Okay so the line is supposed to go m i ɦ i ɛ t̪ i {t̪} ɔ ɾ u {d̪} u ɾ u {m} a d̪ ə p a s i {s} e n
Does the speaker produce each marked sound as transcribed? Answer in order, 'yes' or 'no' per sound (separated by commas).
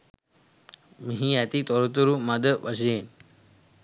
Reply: yes, no, yes, no